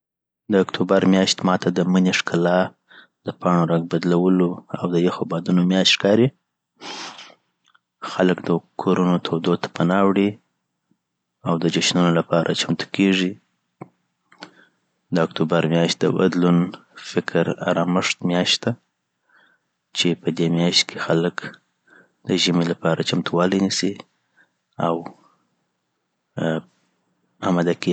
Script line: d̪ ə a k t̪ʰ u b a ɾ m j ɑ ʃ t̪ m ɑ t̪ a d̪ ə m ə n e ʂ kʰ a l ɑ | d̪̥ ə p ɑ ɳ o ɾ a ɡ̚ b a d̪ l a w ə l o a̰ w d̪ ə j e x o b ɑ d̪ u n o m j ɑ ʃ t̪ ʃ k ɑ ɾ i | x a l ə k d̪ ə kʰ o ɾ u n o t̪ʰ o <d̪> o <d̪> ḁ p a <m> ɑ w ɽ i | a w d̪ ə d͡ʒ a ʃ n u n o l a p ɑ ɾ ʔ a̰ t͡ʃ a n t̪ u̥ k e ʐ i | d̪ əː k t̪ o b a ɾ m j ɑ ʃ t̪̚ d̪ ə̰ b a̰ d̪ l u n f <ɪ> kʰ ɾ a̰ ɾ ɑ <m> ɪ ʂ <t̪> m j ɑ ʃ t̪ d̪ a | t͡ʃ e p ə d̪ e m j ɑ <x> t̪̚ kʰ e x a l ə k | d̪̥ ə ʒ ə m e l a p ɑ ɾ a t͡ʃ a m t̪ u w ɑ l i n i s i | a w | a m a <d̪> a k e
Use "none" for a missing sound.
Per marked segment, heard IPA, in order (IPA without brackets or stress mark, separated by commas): d̪, t̪, n, ɪ, m, t̪, ʃ, d̪